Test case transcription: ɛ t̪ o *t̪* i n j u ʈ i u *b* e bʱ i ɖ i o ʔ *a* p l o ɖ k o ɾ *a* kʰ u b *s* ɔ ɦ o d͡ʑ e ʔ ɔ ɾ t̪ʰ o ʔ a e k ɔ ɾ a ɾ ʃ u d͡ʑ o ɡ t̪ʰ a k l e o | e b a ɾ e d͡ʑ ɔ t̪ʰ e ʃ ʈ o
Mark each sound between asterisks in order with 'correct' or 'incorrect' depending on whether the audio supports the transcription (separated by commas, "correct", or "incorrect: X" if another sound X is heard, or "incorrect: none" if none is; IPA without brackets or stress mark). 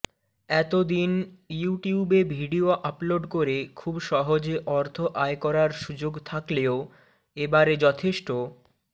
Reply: incorrect: d̪, correct, correct, incorrect: e, incorrect: ʃ